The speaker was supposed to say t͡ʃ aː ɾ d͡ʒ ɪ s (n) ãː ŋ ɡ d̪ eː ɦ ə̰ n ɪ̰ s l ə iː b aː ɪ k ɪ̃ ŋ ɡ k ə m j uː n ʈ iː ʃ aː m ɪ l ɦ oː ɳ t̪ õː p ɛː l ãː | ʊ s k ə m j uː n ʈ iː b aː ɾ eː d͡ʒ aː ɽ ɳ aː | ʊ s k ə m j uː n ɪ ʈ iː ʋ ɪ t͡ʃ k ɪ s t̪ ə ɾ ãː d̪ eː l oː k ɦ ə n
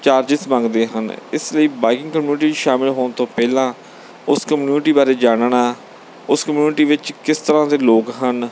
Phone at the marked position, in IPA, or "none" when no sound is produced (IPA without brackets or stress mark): m